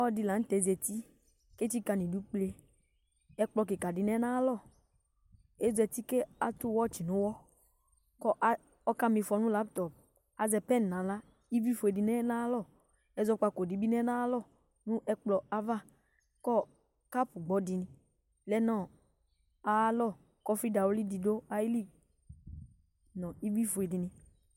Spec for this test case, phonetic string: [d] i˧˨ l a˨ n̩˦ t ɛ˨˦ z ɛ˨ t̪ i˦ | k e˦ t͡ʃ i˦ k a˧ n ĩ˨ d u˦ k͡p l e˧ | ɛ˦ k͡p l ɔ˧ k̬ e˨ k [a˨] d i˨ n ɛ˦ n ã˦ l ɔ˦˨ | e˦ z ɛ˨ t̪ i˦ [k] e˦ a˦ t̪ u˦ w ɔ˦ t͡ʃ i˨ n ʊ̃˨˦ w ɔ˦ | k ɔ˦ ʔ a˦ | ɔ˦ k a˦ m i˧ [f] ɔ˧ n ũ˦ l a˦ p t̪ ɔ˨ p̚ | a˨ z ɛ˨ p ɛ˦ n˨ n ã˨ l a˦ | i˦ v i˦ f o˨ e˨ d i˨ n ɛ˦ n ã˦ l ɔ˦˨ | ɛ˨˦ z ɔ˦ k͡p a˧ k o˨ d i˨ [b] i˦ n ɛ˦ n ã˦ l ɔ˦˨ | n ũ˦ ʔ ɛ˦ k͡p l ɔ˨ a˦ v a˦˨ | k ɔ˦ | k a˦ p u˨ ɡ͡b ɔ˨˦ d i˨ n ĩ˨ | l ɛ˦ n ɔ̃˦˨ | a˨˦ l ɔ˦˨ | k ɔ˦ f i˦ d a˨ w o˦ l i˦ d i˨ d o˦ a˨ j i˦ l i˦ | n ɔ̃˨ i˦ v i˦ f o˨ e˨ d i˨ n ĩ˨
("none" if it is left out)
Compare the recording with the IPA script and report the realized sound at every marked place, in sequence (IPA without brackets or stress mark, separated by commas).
d, a˨, k, f, b